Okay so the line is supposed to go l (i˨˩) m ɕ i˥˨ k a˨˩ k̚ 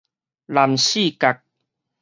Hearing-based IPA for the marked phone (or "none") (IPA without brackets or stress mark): a˨˩